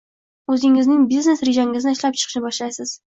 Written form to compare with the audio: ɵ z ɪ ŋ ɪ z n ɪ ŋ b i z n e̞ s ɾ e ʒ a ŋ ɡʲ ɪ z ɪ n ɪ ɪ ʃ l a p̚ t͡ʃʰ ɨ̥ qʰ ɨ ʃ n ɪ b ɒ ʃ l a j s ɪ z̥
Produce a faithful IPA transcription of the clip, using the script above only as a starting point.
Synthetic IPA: ɵ z ɪ ŋ ɪ z n ɪ ŋ b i z n e̞ s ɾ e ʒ a ŋ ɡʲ ɪ z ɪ n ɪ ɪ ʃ l a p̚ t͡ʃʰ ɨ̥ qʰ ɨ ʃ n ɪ b ɒ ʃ l a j s ɪ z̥